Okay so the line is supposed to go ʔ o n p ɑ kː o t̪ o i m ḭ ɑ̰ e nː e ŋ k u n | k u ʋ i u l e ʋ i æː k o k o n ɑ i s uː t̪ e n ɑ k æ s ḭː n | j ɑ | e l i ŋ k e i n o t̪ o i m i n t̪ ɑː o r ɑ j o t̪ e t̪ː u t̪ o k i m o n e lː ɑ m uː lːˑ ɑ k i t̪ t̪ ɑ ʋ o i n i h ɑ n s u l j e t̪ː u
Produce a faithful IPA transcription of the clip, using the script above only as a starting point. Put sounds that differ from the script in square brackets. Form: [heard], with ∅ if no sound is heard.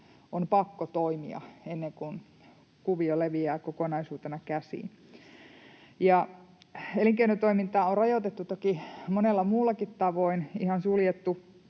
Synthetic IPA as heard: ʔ o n p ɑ kː o t̪ o i m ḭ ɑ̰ e nː e ŋ k u n | k u ʋ i [o] l e ʋ i æː k o k o n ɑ i s uː t̪ e n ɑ k æ s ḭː n | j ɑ | e l i ŋ k e i n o t̪ o i m i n t̪ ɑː o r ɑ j o t̪ e t̪ː u t̪ o k i m o n e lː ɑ m uː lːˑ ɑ k i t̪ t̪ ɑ ʋ o i n i h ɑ n s u l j e t̪ː u